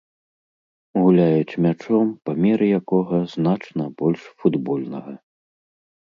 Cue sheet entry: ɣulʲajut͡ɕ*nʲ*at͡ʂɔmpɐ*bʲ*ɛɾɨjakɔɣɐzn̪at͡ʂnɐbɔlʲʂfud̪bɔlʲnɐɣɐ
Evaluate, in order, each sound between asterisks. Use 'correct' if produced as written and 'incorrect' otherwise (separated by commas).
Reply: incorrect, incorrect